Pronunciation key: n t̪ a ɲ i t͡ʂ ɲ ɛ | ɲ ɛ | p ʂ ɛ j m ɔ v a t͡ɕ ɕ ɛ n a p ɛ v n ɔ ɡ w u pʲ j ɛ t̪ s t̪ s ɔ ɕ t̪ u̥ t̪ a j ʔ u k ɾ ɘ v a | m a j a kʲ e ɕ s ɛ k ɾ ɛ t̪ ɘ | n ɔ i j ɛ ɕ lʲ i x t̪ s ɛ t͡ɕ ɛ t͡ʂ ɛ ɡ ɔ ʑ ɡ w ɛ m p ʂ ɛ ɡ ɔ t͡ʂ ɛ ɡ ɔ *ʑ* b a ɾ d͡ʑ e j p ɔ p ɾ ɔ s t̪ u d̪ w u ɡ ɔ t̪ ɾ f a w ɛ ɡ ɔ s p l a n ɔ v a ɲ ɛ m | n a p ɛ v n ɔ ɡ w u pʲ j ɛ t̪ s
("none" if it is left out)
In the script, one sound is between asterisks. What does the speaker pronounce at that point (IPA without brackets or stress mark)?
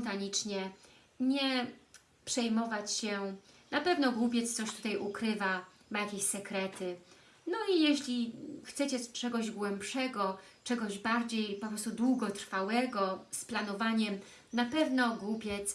ʑ